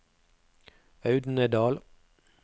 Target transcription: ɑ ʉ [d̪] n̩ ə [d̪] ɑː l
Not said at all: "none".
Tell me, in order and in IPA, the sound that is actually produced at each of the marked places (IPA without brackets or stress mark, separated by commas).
d̪, d̪